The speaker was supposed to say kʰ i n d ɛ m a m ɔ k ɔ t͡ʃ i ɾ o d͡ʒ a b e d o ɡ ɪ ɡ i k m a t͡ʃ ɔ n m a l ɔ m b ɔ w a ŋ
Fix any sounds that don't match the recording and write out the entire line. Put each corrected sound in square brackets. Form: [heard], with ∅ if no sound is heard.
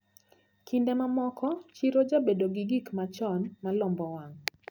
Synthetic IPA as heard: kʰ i n d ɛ m a m ɔ k ɔ t͡ʃ i ɾ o d͡ʒ a b e d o ɡ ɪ ɡ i k m a t͡ʃ ɔ n m a l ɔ m b ɔ w a ŋ

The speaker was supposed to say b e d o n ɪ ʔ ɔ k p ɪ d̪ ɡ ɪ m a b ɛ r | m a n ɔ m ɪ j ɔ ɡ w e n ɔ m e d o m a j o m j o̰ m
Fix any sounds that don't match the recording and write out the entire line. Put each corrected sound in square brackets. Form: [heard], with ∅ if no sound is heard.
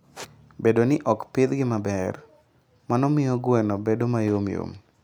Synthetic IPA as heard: b e d o n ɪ ʔ ɔ k p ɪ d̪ ɡ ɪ m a b ɛ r | m a n ɔ m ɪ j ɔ ɡ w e n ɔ [b] e d o m a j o m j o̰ m

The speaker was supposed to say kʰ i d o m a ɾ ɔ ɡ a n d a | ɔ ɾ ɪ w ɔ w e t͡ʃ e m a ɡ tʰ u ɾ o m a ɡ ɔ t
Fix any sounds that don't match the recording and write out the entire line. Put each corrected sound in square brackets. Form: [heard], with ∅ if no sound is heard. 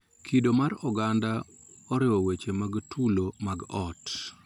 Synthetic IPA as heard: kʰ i d o m a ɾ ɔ ɡ a n d a | ɔ ɾ ɪ w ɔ w e t͡ʃ e m a ɡ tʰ u [l] o m a ɡ ɔ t

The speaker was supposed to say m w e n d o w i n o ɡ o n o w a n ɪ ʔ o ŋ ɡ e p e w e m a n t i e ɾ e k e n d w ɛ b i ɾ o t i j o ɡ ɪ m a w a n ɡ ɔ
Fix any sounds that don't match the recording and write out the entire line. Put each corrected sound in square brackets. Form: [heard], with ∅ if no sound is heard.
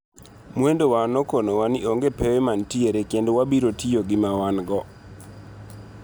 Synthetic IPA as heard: m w e n d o w [a] n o [k] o n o w a n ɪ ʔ o ŋ ɡ e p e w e m a n t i e ɾ e k e n d w [a] b i ɾ o t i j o ɡ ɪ m a w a n ɡ ɔ

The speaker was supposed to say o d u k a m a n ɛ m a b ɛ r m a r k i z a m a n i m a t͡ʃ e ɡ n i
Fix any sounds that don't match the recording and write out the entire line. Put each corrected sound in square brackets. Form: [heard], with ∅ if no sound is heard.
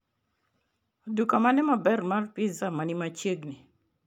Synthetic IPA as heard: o d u k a m a n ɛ m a b ɛ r m a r [p] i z a m a n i m a t͡ʃ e ɡ n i

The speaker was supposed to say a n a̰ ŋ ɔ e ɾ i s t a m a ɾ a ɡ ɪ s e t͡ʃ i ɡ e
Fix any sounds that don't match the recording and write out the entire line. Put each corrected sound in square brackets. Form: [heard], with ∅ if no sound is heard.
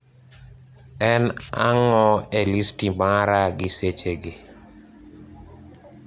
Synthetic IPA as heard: [ɛ] n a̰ ŋ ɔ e [l] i s t [i] m a ɾ a ɡ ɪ s e t͡ʃ [e] ɡ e

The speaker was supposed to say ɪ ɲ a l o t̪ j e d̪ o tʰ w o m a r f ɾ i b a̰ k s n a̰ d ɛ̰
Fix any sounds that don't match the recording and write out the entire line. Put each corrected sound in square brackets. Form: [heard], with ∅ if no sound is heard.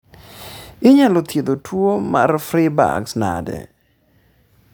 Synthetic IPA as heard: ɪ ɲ a l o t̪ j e d̪ o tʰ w o m a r f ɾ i b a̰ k s n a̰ d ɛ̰

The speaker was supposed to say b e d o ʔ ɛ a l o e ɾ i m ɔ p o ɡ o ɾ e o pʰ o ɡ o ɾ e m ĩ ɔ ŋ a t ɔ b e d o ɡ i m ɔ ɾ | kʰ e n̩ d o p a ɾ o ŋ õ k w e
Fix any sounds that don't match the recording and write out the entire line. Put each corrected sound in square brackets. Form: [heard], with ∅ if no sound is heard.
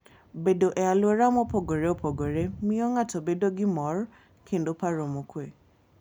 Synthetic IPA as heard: b e d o ʔ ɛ a l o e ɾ [a] m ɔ p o ɡ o ɾ e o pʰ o ɡ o ɾ e m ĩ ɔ ŋ a t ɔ b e d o ɡ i m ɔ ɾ | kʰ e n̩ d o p a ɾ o [m] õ k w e

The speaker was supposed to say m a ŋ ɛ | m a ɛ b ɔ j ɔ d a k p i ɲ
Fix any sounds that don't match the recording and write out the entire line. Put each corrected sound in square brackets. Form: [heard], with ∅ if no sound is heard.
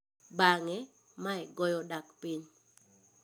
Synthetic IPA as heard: [b] a ŋ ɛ | m a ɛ [ɡ] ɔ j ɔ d a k p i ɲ

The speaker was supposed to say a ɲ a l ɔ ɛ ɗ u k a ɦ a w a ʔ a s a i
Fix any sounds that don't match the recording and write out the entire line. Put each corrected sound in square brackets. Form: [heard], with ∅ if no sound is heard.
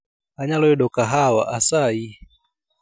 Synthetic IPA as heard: a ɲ a l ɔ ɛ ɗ [ɔ] k a ɦ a w a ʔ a s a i

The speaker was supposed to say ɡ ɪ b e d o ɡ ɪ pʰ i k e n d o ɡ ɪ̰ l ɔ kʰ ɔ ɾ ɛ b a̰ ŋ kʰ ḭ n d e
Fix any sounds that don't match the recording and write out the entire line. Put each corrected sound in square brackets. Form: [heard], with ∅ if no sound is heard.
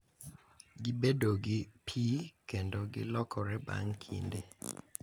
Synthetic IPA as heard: ɡ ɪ b e d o ɡ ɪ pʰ i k e n d o ɡ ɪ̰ l ɔ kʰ ɔ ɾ ɛ b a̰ ŋ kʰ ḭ n d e

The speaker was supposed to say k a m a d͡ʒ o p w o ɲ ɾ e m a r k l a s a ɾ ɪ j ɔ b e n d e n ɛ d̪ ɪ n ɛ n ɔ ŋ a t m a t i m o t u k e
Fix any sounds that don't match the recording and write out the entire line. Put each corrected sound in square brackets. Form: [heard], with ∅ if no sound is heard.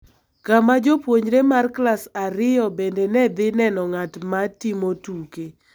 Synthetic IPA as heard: k a m a d͡ʒ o p w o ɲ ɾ e m a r k l a s a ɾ ɪ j ɔ b e n d e n ɛ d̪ ɪ n ɛ n ɔ ŋ a t m a t i m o t u k e

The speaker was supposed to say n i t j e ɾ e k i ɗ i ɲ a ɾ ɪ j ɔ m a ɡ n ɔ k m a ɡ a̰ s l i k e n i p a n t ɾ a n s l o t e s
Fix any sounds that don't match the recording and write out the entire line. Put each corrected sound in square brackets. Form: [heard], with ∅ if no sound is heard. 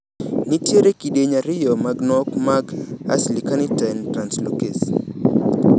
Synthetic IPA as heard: n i t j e ɾ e k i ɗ [e] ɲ a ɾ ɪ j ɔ m a ɡ n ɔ k m a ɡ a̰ s l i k [a] n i [t] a n t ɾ a n s l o [k] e s

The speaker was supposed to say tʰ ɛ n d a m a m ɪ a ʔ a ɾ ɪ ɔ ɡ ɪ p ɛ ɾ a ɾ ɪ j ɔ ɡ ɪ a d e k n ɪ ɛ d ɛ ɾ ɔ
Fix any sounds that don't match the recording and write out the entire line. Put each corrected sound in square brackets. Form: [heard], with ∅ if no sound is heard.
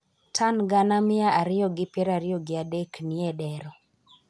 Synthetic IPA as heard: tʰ [a] n [ɡ] a [n] a m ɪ a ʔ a ɾ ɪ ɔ ɡ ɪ p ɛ ɾ a ɾ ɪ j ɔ ɡ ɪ a d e k n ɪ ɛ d ɛ ɾ ɔ

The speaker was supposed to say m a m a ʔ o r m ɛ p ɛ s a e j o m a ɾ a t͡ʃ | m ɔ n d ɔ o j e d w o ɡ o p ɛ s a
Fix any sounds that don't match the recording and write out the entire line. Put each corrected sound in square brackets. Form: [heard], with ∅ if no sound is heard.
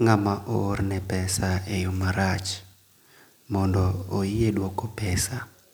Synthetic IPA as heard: [ŋ] a m a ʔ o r [n] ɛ p ɛ s a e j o m a ɾ a t͡ʃ | m ɔ n d ɔ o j e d w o [k] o p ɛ s a

